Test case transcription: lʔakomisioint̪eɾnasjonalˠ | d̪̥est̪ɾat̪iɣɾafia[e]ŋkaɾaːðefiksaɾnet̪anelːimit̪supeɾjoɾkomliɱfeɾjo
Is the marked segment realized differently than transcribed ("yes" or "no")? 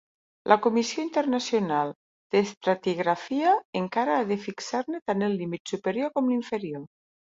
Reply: no